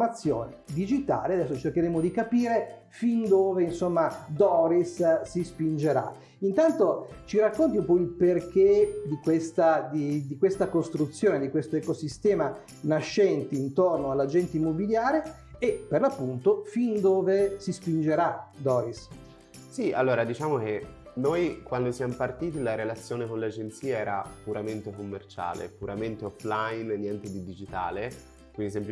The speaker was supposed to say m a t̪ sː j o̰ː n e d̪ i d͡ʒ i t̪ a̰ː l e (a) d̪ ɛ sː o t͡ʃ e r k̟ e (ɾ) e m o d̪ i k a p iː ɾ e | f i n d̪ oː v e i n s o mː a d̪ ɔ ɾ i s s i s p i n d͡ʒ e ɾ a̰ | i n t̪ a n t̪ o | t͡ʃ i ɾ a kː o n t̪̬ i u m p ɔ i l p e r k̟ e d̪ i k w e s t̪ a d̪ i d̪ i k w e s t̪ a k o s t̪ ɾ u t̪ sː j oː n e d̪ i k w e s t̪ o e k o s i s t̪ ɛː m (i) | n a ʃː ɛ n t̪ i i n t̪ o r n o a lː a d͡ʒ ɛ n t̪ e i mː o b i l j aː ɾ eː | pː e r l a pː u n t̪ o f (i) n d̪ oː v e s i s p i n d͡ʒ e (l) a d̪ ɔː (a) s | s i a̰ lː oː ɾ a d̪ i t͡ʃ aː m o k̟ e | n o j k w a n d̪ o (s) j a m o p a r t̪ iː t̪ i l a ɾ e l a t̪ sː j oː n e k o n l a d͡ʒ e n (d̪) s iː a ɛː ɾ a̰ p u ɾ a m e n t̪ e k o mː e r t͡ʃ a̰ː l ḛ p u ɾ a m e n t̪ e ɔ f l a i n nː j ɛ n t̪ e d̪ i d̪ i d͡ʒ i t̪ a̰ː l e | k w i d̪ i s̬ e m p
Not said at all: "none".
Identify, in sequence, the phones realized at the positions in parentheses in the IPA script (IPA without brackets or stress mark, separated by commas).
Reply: a, ɾ, a, i, ɾ, i, s, t̪